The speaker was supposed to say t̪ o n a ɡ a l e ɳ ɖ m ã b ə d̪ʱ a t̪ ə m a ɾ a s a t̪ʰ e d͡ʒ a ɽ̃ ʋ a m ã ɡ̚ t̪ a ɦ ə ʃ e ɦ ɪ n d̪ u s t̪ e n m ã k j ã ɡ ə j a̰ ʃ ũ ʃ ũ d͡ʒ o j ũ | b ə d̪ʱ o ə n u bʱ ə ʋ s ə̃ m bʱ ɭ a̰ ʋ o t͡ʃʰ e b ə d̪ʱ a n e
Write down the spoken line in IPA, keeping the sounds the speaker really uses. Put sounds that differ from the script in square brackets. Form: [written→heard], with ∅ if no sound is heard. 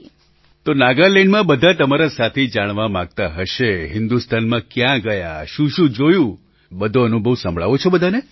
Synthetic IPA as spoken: t̪ o n a ɡ a l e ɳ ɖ m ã b ə d̪ʱ a t̪ ə m a ɾ a s a t̪ʰ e d͡ʒ a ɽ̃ ʋ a m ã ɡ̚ t̪ a ɦ ə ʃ e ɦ ɪ n d̪ u s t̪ [e→a] n m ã k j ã ɡ ə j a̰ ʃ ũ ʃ ũ d͡ʒ o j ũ | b ə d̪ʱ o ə n u bʱ ə ʋ s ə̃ m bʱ ɭ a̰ ʋ o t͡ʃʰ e b ə d̪ʱ a n e